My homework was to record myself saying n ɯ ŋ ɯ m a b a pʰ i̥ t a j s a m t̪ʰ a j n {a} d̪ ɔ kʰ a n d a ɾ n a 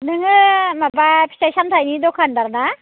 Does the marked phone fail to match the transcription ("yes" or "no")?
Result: yes